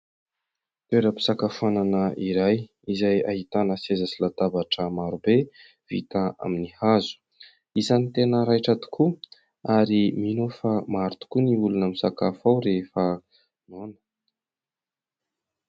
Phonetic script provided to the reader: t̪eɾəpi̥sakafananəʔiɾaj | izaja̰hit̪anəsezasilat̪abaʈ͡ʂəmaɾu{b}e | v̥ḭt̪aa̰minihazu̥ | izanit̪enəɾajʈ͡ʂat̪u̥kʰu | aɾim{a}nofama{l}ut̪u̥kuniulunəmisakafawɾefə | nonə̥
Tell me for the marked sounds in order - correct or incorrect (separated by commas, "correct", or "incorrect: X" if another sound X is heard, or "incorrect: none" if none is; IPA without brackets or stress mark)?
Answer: correct, incorrect: i, incorrect: ɾ